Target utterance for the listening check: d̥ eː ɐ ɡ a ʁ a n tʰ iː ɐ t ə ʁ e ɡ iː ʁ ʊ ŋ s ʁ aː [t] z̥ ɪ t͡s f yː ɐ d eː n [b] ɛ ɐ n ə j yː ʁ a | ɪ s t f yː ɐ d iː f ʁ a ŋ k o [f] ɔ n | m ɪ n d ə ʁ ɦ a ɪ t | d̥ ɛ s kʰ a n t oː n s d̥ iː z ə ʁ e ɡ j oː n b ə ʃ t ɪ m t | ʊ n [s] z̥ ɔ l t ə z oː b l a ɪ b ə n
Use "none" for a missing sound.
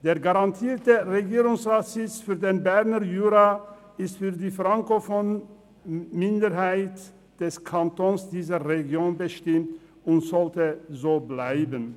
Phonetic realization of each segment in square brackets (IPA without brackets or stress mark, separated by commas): t, b, f, t